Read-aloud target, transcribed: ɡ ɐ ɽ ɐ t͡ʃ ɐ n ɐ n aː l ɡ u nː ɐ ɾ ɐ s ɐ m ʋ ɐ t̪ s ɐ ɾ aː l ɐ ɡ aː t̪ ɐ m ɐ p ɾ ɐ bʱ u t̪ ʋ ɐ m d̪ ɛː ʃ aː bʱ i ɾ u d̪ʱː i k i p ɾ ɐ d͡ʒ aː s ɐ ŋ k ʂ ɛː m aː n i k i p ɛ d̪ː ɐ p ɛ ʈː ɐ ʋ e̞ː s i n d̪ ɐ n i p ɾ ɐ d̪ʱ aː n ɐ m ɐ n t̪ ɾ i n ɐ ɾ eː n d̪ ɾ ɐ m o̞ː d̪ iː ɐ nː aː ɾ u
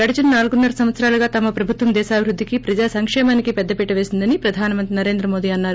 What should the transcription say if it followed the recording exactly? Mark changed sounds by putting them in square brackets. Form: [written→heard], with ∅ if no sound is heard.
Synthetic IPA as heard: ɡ ɐ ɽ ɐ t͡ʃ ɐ n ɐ n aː l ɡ u nː ɐ ɾ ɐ s ɐ m ʋ ɐ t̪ s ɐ ɾ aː l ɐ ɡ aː t̪ ɐ m ɐ p ɾ ɐ bʱ u t̪ ʋ ɐ m d̪ ɛː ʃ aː bʱ i ɾ u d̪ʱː i k i p ɾ ɐ d͡ʒ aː s ɐ ŋ k ʂ ɛː m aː n i k i p ɛ d̪ː ɐ p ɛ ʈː ɐ ʋ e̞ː s i n d̪ ɐ n i p ɾ ɐ d̪ʱ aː n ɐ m ɐ n t̪ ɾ i n ɐ ɾ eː n d̪ ɾ ɐ m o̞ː d̪ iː ɐ nː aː ɾ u